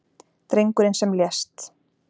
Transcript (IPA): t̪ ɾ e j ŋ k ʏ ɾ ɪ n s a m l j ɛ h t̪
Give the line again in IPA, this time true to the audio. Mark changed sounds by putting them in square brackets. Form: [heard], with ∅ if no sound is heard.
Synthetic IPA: t̪ ɾ e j ŋ k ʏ ɾ ɪ n s [ɛ] m l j ɛ [s] t̪

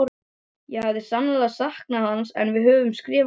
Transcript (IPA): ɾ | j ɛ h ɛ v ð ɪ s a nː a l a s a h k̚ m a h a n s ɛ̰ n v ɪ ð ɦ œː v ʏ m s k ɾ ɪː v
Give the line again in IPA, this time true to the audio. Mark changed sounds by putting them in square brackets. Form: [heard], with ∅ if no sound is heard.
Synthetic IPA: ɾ | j ɛ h [a] v ð ɪ s a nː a l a s a h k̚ [n] a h a n s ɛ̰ n v ɪ ð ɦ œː v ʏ m s k ɾ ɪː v

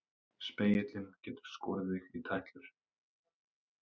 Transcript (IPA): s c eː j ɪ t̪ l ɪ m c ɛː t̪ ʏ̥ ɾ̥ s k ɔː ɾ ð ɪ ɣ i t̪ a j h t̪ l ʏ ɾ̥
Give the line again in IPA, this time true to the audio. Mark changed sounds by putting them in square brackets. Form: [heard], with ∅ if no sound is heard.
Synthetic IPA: s [p] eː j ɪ t̪ l ɪ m c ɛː t̪ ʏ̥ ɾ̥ s k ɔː ɾ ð ɪ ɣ i [t̪ʰ] a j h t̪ l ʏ ɾ̥

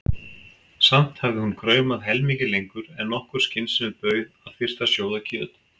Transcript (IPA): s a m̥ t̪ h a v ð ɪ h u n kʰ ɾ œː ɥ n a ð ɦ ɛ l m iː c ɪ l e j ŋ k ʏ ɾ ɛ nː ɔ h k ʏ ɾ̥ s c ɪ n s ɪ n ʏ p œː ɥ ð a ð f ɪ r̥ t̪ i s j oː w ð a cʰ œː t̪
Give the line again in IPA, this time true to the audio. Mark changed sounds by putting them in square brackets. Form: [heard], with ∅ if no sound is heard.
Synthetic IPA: s a m̥ t̪ h a v ð ɪ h u n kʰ ɾ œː ɥ [m] a ð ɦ ɛ l m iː c ɪ l e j ŋ k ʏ ɾ ɛ nː ɔ h k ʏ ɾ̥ s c ɪ n s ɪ n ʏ p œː ɥ ð a ð f ɪ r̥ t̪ [a] s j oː w ð a cʰ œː t̪

